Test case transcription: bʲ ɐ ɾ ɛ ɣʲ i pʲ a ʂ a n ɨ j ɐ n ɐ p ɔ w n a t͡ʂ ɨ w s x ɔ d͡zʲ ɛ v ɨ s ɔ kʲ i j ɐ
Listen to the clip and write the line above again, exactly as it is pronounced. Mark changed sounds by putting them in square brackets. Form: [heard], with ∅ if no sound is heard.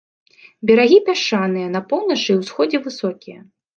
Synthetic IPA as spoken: bʲ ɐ ɾ [a] ɣʲ i pʲ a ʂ a n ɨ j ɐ n ɐ p ɔ w n [ɐ] t͡ʂ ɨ w s x ɔ d͡zʲ ɛ v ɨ s ɔ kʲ i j ɐ